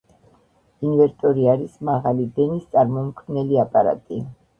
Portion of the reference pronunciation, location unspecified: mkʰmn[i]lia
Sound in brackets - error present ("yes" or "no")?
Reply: yes